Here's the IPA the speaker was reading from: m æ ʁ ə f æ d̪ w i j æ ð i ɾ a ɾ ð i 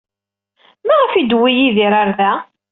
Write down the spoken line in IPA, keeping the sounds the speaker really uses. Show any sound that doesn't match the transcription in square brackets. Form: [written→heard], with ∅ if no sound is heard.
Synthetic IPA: m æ ʁ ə f [æ→i] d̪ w i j [æ→i] ð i ɾ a ɾ ð [i→æ]

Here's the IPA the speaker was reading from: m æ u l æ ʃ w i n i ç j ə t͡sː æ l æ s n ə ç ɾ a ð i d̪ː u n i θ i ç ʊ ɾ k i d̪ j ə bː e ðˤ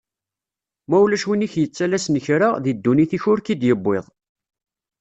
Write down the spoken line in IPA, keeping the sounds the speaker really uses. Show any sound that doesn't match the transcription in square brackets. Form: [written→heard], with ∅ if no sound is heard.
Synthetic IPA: m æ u l æ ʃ w i n i ç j ə t͡sː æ l æ s n ə ç ɾ a ð i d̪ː u n i θ i ç ʊ ɾ k i d̪ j ə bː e ðˤ

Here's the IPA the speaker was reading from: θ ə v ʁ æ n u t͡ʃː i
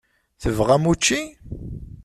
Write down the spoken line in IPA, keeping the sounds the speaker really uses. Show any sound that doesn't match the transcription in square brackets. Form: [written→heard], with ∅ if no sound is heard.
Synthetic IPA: θ ə v ʁ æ [n→m] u t͡ʃː i

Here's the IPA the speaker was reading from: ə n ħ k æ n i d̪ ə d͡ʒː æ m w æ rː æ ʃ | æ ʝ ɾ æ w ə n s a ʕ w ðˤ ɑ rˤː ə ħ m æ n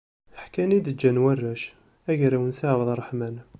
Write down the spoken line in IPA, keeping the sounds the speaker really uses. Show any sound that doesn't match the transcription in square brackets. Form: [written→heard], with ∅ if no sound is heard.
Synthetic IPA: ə [n→∅] ħ k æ n i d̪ ə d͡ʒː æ [m→n] w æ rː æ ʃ | æ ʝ ɾ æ w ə n s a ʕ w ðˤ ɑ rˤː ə ħ m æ n

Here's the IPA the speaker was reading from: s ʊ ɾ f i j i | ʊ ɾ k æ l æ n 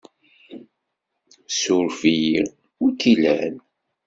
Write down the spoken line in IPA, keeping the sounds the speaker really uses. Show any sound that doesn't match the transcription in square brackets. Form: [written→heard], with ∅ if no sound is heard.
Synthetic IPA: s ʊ ɾ f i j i | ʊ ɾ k [æ→i] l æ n

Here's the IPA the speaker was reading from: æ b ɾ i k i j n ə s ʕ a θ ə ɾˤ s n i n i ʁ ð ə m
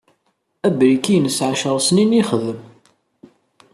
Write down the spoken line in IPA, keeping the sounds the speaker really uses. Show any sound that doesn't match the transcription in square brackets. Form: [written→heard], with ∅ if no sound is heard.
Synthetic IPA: æ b ɾ i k i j n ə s ʕ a [θ→ʃ] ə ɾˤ s n i n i [ʁ→χ] ð ə m

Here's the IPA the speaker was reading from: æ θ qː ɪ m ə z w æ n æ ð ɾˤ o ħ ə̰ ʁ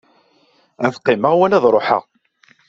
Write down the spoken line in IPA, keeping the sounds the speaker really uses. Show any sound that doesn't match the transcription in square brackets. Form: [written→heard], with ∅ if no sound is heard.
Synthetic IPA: æ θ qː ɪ m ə [z→ʁ] w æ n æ ð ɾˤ o ħ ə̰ ʁ

